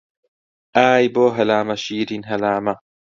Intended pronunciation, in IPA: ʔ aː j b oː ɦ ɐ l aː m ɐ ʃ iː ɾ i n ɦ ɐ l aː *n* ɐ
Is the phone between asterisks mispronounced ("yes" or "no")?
yes